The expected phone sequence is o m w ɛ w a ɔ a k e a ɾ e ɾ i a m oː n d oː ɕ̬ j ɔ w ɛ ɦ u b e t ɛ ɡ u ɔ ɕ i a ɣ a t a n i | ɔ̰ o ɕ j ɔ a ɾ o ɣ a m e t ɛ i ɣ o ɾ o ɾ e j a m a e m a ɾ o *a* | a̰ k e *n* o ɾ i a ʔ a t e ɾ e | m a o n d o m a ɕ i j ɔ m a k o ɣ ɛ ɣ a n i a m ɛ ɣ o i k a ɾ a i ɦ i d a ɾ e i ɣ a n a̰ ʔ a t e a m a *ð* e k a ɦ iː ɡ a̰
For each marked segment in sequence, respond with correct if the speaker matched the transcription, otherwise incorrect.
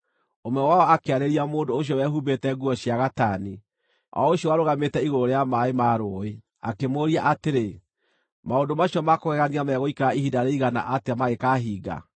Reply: incorrect: e, incorrect: m, incorrect: ɣ

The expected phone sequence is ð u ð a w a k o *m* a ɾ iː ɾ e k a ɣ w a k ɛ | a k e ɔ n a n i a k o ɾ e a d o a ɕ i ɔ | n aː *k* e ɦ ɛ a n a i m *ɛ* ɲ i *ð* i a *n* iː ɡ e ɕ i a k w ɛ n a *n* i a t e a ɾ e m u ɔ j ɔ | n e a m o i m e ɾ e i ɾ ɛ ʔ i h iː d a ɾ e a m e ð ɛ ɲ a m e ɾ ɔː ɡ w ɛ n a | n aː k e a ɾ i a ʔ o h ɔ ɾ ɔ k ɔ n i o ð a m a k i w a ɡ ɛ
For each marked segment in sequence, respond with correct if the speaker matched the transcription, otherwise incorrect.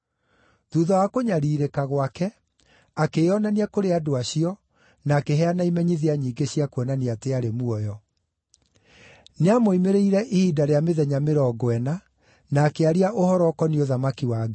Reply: incorrect: ɲ, correct, correct, correct, incorrect: ɲ, correct

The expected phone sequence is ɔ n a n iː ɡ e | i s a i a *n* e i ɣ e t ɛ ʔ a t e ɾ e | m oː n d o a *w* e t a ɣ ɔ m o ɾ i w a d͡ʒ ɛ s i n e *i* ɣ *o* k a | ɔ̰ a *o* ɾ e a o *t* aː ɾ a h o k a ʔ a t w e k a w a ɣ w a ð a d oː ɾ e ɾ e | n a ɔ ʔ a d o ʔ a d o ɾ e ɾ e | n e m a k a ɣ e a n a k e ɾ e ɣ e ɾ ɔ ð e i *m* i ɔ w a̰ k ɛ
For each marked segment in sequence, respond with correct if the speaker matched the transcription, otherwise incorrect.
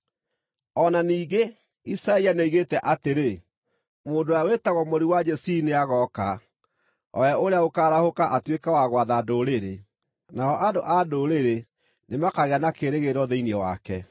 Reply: correct, correct, incorrect: a, incorrect: ɔ, correct, incorrect: k, incorrect: n

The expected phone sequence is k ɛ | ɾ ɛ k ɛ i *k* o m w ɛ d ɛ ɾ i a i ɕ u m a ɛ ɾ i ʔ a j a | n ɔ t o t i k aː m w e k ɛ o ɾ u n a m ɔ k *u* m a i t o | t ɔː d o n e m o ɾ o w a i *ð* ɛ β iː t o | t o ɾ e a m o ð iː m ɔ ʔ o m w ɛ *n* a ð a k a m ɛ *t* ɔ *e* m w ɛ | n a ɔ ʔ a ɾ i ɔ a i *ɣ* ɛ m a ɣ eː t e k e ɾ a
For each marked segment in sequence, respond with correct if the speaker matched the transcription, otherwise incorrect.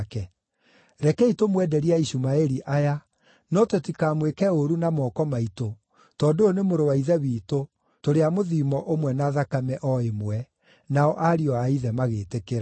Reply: incorrect: t, incorrect: ɔ, correct, correct, incorrect: ʔ, correct, incorrect: ð

